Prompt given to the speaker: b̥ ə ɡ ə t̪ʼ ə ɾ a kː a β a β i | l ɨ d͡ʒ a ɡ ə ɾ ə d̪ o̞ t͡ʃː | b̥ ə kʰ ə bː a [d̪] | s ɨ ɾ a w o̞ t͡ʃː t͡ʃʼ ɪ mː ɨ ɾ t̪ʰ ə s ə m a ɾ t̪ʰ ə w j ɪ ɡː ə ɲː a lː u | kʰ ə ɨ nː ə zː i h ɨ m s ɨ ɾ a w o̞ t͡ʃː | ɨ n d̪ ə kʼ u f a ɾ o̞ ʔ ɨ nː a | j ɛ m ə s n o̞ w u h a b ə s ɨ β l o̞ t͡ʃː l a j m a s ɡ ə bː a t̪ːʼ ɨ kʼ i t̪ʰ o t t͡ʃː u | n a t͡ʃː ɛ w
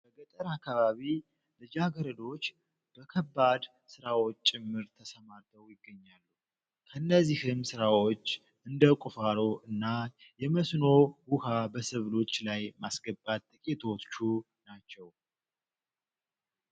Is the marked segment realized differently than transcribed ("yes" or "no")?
no